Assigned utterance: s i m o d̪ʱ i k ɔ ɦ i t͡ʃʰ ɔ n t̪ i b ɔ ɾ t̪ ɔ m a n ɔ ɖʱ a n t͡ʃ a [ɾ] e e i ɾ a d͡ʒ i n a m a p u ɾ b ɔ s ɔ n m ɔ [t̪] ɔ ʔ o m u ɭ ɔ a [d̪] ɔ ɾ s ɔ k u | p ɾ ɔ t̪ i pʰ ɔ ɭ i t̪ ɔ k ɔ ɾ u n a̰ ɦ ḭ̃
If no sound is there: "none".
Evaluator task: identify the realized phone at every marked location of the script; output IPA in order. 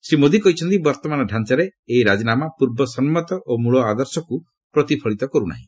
ɾ, t̪, d̪

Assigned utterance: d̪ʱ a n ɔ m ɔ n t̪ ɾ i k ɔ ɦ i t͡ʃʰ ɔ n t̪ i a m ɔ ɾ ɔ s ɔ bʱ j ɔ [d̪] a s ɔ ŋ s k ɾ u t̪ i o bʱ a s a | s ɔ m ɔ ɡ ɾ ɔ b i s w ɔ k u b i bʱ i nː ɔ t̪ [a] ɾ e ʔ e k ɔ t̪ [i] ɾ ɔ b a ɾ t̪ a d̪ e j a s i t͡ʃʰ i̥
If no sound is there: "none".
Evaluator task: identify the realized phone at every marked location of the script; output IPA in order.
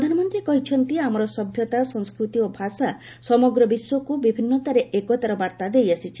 t̪, a, a

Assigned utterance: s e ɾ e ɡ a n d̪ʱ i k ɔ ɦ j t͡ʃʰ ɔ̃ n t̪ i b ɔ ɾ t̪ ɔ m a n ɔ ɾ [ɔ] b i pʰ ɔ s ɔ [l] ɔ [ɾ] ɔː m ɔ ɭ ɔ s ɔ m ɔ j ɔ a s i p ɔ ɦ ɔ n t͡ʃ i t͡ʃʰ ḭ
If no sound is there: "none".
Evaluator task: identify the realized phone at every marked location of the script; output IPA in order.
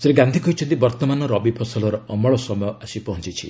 ɔ, l, ɾ

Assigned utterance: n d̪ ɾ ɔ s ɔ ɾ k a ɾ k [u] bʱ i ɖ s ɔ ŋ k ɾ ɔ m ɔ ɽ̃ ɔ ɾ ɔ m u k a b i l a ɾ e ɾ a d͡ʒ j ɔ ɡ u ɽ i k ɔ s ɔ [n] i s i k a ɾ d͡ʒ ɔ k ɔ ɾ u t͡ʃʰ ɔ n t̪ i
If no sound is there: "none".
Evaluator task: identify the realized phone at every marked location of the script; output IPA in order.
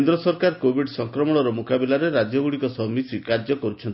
o, m

